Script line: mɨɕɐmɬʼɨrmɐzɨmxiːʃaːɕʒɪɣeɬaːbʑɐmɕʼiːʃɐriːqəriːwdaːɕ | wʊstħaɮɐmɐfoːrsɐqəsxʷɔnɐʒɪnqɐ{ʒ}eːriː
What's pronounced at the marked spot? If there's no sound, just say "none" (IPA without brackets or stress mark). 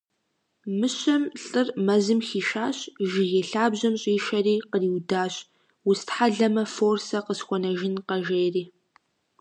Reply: ʒ